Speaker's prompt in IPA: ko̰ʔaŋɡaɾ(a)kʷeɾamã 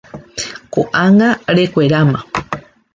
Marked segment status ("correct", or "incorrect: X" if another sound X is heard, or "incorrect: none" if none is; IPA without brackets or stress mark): incorrect: e